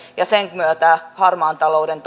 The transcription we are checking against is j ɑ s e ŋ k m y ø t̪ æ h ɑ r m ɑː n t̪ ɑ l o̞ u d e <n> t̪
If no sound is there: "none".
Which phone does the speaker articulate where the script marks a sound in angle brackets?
n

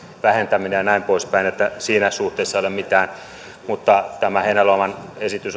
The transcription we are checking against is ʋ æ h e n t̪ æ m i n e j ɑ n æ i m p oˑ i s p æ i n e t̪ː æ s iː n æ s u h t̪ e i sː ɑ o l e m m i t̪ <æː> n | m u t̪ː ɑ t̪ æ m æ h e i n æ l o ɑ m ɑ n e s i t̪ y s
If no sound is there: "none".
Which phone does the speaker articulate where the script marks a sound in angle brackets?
æː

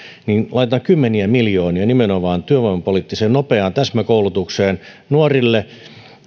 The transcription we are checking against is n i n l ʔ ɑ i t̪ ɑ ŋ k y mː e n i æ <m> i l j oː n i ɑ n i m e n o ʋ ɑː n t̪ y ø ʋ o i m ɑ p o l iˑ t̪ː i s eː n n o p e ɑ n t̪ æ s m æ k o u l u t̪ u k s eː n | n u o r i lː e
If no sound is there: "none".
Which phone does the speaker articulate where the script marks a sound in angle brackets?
m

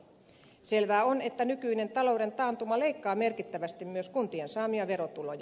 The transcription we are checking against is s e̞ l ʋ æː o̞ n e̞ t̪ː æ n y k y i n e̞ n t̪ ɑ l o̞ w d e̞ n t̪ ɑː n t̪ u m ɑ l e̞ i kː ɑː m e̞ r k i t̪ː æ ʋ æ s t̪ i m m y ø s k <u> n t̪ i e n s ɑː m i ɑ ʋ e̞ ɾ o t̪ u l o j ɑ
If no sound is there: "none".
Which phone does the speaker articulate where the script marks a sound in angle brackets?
u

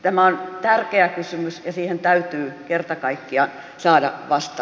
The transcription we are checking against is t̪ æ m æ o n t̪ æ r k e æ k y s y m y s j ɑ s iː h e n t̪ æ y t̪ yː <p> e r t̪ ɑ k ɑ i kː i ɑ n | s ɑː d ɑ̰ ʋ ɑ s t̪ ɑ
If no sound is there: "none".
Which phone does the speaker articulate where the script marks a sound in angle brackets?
k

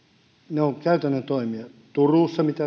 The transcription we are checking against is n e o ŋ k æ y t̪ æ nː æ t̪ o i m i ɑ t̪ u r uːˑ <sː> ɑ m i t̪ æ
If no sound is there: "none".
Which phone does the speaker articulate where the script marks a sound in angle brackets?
sː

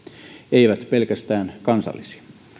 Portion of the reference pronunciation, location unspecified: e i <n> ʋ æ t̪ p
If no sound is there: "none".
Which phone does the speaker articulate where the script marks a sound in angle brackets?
none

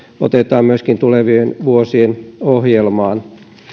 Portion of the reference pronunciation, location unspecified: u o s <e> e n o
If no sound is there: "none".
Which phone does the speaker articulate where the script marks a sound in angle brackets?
i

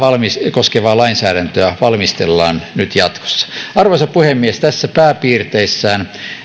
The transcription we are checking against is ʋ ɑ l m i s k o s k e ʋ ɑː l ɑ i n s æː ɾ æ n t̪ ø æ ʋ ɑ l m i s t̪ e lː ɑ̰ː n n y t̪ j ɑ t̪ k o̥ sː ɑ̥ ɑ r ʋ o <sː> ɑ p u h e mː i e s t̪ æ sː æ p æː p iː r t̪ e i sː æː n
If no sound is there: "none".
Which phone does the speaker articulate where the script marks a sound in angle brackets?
s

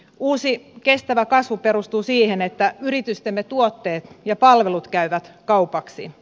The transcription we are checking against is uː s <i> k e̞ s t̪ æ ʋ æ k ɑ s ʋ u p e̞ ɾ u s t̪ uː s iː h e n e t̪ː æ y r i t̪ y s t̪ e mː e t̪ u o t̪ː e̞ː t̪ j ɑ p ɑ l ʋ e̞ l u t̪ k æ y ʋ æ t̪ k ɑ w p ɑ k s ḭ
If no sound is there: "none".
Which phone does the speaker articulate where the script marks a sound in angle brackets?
i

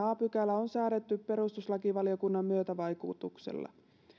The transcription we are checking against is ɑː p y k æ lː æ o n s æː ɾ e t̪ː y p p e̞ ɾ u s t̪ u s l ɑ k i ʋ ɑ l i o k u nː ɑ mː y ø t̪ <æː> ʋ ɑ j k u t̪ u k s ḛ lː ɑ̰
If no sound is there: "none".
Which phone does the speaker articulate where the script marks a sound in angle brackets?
æ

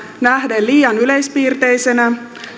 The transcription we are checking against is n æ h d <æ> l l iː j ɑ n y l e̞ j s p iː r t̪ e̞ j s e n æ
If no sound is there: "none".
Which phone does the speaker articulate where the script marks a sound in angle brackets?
e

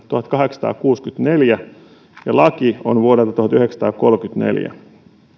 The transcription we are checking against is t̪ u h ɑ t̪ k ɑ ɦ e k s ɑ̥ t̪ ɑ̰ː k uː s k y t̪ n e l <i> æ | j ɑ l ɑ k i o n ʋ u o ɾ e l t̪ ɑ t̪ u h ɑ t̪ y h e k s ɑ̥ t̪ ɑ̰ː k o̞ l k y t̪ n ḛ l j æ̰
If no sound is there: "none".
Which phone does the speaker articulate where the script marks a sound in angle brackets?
j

